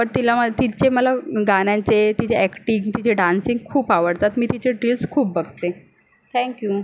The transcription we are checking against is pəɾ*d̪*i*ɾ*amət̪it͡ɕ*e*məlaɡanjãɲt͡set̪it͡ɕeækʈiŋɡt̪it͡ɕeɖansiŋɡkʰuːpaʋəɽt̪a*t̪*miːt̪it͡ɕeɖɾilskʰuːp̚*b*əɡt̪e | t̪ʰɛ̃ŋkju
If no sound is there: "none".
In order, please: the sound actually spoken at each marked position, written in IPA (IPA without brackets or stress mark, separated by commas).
t̪, l, e, t̪, b